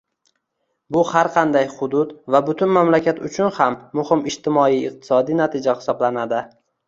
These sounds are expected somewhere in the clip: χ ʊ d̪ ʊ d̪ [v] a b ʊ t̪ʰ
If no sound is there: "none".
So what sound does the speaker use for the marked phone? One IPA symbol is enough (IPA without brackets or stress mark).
v